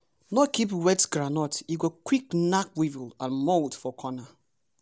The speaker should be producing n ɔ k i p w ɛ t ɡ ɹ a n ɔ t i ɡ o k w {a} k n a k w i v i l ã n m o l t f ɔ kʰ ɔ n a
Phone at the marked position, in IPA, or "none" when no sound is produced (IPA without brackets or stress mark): i